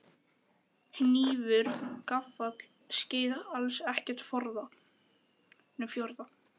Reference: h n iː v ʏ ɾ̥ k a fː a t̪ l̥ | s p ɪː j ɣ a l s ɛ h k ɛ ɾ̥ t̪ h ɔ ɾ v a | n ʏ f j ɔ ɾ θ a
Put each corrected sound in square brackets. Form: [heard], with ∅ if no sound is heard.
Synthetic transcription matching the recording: h n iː v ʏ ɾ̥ k a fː a t̪ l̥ | s [c] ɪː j [ð] a l s ɛ h [c] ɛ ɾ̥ t̪ [f] ɔ ɾ [ð] a | n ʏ f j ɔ ɾ [ð] a

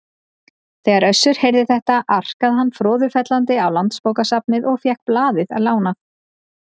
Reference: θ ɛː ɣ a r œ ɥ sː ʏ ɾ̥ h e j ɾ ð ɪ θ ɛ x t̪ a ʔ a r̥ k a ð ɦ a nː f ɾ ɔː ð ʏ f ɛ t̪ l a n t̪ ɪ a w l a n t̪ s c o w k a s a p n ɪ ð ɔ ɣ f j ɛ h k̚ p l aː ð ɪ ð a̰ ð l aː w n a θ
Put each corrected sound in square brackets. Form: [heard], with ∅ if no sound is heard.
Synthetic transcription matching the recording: θ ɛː ɣ a [ɾ] œ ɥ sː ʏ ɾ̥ h e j ɾ ð ɪ θ ɛ [h] t̪ a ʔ a r̥ k a ð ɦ a nː f ɾ ɔː ð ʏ f ɛ t̪ l a n t̪ ɪ a w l a n t̪ s [p] o w k a s a p n ɪ ð ɔ ɣ f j ɛ h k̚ p l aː ð ɪ ð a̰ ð l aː w n a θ

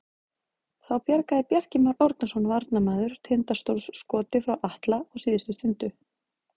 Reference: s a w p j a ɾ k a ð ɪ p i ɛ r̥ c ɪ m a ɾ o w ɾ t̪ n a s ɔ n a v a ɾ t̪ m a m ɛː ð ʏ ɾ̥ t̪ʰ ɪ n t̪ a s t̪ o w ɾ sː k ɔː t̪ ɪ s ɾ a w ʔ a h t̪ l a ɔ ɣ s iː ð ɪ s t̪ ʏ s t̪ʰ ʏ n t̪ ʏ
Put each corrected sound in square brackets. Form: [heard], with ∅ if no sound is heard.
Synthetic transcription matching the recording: [θ] a w p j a ɾ k a ð ɪ p [j] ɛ r̥ c ɪ m a ɾ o w ɾ t̪ n a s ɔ n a v a ɾ t̪ [n] a m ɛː ð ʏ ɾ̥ t̪ʰ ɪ n t̪ a s t̪ o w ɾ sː k ɔː t̪ ɪ [f] ɾ a w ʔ a h t̪ l a ɔ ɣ s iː ð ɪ s t̪ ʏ s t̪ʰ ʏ n t̪ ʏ

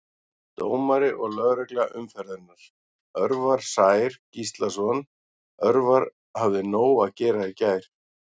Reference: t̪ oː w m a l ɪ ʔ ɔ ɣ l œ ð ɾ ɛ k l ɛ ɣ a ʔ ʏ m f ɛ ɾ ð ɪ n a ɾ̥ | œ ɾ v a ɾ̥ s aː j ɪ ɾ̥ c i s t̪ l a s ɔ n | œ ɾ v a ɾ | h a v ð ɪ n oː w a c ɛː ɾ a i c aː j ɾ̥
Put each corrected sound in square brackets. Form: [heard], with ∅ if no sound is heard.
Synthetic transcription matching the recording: t̪ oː w m a [ɾ] ɪ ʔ ɔ ɣ l œ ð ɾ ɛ k l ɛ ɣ a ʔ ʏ m f ɛ ɾ ð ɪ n a ɾ̥ | œ ɾ v a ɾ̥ s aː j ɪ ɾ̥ c i s t̪ l a s ɔ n | œ ɾ v a ɾ | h a v ð ɪ n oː w a c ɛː ɾ a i c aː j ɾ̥

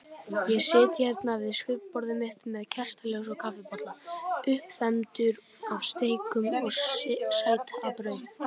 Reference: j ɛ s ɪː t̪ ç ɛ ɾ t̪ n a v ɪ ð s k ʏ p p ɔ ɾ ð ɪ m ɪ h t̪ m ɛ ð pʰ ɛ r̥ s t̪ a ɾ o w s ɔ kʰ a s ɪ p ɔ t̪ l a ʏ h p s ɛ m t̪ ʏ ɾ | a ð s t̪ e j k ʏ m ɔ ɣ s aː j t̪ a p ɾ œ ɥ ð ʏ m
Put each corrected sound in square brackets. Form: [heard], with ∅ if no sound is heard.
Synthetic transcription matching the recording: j ɛ s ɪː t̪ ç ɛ ɾ t̪ n a v ɪ ð s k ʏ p p ɔ ɾ ð ɪ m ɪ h t̪ m ɛ ð [cʰ] ɛ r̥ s t̪ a [l] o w s ɔ kʰ a [f] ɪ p ɔ t̪ l a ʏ h p [θ] ɛ m t̪ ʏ ɾ | a [v] s t̪ e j k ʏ m ɔ ɣ s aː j t̪ a p ɾ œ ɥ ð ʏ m

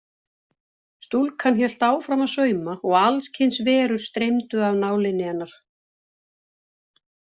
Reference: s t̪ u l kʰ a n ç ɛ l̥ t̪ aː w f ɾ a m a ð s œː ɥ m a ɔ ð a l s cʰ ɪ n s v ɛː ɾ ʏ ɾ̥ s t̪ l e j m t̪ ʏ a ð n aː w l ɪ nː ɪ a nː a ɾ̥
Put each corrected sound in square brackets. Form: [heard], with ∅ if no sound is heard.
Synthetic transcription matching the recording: s t̪ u l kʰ a n ç ɛ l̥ t̪ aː w f ɾ a m a ð s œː ɥ m a ɔ [ɣ] a l s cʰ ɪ n s v ɛː ɾ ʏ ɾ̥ s t̪ [ɾ] e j m t̪ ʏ a [v] n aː w l ɪ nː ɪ a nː a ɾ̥

